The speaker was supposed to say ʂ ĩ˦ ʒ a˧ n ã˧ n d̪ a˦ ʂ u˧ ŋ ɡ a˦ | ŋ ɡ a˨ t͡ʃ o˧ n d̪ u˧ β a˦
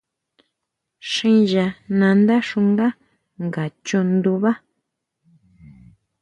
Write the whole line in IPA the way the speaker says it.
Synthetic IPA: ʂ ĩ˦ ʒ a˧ n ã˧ n d̪ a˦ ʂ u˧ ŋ ɡ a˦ | ŋ ɡ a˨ t͡ʃ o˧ n d̪ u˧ β a˦